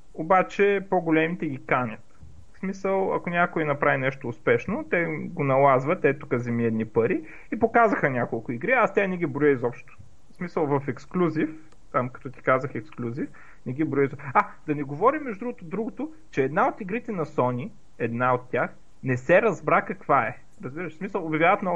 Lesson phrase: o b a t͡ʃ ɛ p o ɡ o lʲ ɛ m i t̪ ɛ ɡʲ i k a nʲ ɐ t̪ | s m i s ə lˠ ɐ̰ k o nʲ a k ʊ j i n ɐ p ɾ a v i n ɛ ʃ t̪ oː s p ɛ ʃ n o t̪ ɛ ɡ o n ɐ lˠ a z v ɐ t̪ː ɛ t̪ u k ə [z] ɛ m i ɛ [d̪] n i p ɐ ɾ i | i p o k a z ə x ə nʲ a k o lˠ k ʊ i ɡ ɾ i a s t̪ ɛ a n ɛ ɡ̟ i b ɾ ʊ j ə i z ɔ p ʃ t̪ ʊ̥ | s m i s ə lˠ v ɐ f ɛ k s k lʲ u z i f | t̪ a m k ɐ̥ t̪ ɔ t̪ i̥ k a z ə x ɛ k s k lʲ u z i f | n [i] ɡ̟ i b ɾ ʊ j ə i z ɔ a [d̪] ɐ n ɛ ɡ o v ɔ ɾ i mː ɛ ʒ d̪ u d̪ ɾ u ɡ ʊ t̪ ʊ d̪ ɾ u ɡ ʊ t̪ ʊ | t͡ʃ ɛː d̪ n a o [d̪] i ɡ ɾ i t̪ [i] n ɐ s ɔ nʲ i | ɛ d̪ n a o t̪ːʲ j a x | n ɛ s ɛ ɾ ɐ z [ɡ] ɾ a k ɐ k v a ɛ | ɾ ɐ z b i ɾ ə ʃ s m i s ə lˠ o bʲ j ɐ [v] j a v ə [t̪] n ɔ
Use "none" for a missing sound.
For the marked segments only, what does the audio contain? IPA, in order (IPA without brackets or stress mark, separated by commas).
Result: z, d̪, ɛ, d̪, t̪, ɛ, b, v, t̪